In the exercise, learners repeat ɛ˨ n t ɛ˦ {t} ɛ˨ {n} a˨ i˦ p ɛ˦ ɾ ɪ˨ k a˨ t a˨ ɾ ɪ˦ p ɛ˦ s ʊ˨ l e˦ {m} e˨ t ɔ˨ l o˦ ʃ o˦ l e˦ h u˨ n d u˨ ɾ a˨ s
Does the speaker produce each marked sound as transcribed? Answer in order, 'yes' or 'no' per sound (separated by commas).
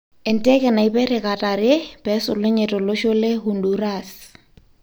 no, yes, no